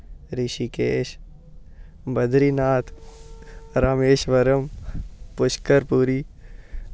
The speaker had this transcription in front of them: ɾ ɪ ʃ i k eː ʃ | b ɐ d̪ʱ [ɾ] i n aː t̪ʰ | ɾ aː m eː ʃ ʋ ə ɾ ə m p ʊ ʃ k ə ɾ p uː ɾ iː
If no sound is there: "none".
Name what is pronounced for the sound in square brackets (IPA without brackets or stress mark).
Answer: ɾ